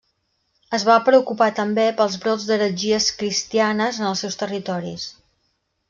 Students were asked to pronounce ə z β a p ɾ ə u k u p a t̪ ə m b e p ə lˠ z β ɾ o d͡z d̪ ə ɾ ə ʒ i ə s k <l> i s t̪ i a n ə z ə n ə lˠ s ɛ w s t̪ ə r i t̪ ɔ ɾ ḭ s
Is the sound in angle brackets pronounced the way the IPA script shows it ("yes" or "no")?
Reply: no